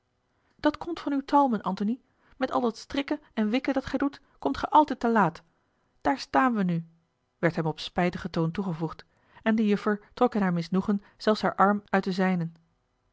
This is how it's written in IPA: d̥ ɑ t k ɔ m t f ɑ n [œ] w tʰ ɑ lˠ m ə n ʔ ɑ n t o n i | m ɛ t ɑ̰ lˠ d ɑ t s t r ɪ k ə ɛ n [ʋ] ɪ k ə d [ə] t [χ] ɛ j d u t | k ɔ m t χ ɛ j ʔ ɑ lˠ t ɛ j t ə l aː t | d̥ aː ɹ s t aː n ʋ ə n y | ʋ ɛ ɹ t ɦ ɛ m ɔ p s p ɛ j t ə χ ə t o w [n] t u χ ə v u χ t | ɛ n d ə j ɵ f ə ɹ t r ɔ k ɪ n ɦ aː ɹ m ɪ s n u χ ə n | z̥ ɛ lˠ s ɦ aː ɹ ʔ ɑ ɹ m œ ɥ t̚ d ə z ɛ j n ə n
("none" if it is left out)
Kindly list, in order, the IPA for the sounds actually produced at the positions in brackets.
y, ʋ, ɑ, χ, n

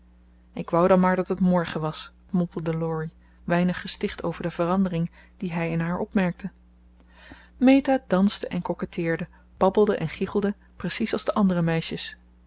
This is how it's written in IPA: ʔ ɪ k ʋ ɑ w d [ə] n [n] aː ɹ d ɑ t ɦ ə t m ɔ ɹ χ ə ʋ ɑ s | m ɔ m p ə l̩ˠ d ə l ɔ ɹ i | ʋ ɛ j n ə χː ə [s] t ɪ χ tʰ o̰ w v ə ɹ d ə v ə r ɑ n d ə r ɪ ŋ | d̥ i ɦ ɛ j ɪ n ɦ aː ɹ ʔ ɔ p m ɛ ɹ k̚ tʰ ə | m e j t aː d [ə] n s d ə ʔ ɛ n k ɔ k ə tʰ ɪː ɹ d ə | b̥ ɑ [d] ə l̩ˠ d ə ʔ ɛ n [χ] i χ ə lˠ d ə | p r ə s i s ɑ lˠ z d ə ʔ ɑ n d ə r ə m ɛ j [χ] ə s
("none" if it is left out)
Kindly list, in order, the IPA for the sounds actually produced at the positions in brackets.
ɑ, m, s, ɑ, b, χ, ʃ

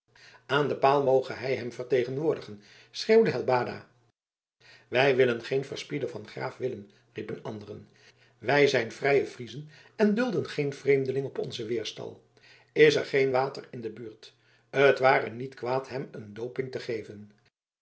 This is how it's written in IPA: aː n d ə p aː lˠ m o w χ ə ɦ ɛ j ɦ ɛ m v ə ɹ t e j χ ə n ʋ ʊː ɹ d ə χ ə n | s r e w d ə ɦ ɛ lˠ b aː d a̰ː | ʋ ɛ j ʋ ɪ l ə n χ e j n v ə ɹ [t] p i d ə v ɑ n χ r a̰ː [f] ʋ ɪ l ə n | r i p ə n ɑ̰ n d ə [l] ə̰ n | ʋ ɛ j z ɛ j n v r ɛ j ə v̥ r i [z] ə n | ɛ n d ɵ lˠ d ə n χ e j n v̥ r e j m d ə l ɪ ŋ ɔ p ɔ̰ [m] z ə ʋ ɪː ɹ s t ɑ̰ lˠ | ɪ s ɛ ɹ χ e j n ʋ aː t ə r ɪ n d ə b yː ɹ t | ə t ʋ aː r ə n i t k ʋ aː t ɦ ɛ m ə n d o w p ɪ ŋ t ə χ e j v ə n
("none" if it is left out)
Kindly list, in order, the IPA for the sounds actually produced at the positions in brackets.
s, f, r, z, n

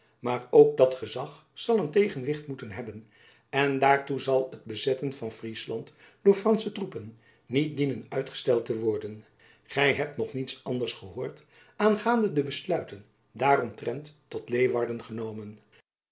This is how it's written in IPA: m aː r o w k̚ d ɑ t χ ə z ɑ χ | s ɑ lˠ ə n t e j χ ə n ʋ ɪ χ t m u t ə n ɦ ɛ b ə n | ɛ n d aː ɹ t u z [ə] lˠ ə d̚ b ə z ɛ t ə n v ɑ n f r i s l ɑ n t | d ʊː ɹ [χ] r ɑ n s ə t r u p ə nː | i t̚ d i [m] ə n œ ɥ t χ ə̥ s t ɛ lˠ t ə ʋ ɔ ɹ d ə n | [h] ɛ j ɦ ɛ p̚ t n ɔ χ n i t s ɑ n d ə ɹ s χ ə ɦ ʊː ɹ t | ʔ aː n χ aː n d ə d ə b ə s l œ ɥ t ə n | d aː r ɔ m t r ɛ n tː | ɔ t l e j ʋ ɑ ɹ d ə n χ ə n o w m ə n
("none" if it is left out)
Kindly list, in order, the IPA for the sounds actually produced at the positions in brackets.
ɑ, f, n, χ

